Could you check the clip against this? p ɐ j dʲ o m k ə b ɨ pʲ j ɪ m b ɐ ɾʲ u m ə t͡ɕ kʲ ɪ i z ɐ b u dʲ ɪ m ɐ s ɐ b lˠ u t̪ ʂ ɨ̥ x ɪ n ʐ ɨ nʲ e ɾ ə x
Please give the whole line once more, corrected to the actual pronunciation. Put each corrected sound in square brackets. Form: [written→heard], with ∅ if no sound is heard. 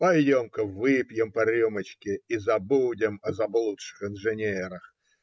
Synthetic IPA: p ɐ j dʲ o m k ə [b→v] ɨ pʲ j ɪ m [b→p] ɐ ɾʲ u m ə t͡ɕ kʲ ɪ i z ɐ b u dʲ ɪ m ɐ [s→z] ɐ b lˠ u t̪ ʂ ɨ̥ x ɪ n ʐ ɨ nʲ e ɾ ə x